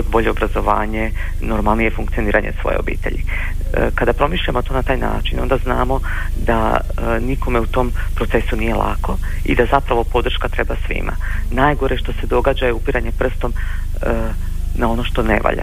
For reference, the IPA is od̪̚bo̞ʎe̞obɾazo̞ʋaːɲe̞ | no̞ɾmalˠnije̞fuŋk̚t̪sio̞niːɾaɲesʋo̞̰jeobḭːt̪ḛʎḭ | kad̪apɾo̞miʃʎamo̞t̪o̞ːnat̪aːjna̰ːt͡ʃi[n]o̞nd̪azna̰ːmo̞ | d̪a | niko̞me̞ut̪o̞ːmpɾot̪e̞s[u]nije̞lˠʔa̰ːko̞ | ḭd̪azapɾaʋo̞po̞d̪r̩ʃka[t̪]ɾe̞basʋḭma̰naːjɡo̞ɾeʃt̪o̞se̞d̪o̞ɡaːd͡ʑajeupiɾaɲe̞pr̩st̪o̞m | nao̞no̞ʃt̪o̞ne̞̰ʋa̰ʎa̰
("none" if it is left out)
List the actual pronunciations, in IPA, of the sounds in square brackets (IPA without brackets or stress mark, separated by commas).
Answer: n, u, t̪